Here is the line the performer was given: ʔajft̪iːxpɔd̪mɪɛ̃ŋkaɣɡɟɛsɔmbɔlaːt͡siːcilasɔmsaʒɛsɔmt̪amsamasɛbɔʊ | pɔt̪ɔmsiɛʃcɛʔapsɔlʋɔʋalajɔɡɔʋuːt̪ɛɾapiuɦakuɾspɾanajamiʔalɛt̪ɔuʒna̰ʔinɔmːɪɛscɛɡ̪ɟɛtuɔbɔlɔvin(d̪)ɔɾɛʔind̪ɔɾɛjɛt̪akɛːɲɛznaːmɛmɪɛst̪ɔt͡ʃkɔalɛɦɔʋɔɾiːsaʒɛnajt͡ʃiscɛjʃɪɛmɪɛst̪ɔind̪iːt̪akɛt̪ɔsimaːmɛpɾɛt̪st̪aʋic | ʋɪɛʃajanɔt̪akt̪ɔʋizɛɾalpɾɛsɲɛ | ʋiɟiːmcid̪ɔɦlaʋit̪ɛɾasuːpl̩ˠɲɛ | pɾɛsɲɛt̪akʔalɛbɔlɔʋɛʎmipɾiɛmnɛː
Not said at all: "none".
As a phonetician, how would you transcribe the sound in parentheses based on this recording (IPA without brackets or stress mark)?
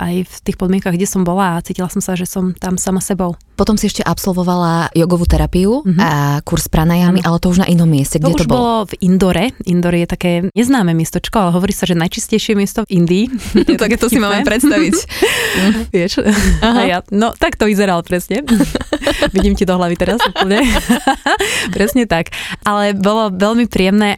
d̪